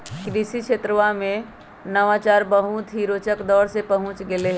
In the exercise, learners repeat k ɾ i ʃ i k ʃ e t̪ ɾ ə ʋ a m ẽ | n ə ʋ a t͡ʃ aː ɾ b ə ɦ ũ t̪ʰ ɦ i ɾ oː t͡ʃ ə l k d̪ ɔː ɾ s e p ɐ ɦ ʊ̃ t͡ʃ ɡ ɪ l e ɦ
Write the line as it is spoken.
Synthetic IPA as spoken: k ɾ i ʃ i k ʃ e t̪ ɾ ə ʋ a m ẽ | n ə ʋ a t͡ʃ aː ɾ b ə ɦ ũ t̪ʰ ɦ i ɾ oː t͡ʃ ə k d̪ ɔː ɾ s e p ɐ ɦ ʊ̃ t͡ʃ ɡ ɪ l e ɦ